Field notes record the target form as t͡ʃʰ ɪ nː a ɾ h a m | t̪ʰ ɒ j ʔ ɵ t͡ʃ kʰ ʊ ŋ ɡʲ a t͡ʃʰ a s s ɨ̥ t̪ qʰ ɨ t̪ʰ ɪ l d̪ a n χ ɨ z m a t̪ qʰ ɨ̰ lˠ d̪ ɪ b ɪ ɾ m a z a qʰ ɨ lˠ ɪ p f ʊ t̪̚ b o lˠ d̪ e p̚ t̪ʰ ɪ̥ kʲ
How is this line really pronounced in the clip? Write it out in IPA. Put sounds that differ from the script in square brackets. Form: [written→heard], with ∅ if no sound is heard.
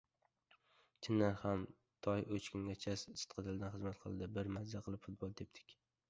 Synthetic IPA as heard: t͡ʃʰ ɪ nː a ɾ h a m | t̪ʰ ɒ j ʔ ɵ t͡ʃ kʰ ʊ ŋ ɡʲ a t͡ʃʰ a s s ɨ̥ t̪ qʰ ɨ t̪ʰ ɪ l d̪ a n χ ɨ z m a t̪ qʰ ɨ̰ lˠ d̪ ɪ b ɪ ɾ m a z a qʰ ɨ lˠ ɪ p f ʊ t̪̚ b o lˠ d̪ e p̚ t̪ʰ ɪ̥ kʲ